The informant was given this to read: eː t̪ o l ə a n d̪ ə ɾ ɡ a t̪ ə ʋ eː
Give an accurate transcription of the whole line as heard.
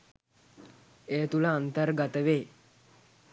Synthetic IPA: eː t̪ u l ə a n t̪ ə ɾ ɡ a t̪ ə ʋ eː